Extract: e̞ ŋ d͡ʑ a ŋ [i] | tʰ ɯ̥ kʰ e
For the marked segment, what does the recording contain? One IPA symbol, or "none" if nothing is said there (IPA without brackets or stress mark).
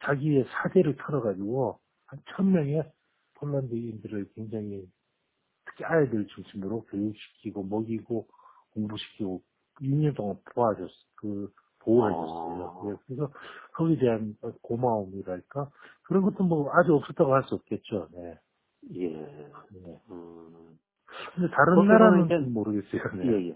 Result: i